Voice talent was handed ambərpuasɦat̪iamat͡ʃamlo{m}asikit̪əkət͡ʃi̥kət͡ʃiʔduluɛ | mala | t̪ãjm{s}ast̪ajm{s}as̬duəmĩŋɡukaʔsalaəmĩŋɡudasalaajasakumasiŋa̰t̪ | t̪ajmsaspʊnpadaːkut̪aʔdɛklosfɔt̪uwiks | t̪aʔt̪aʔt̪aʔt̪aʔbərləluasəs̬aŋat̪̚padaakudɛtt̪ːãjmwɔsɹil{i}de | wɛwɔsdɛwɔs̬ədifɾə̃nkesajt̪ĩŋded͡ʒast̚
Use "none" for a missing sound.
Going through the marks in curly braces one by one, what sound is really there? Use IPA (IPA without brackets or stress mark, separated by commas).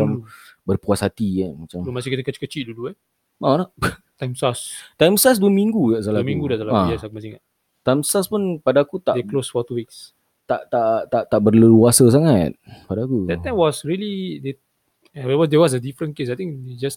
m, s, s, i